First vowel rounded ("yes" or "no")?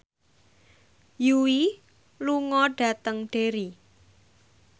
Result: yes